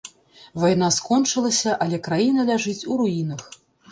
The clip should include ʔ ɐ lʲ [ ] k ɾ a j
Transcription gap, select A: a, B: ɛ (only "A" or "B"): B